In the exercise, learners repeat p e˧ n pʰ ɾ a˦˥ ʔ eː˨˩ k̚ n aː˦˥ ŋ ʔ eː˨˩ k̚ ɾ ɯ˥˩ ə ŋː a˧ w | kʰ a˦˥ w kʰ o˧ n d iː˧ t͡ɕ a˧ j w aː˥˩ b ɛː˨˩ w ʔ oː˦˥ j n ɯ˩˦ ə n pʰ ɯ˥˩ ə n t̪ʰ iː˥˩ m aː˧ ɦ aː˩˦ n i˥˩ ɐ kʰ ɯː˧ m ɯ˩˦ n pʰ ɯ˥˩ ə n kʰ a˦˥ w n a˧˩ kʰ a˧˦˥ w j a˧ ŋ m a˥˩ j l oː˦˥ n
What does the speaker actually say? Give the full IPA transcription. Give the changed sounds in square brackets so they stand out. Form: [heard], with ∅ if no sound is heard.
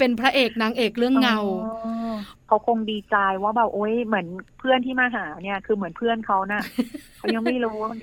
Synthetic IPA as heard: p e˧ n pʰ ɾ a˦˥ ʔ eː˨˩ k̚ n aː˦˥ ŋ ʔ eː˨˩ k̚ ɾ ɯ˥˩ ə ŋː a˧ w | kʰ a˦˥ w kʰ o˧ [ŋ] d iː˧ t͡ɕ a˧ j w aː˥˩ b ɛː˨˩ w ʔ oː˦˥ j [m] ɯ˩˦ ə n pʰ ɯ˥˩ ə n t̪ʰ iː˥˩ m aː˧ ɦ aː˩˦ n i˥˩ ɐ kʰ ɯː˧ m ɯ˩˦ n pʰ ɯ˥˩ ə n kʰ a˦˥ w n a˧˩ kʰ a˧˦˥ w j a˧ ŋ m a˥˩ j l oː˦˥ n